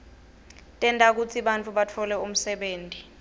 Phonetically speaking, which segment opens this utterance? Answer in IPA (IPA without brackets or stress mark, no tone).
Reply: tʼ